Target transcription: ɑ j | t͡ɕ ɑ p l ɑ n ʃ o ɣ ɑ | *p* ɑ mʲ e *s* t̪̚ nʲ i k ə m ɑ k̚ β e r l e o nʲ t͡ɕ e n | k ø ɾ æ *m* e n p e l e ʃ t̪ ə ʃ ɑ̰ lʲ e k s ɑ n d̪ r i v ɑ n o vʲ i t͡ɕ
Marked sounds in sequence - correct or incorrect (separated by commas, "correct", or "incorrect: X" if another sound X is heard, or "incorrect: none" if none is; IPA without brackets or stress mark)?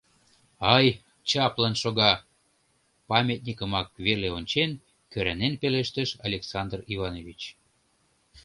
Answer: correct, incorrect: none, incorrect: n